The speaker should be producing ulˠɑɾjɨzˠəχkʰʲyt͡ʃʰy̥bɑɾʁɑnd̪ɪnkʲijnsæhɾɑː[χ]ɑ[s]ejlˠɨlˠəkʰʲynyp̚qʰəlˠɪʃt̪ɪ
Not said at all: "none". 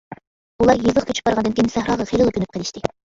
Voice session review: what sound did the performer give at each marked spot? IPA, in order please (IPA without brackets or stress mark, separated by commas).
ʁ, χ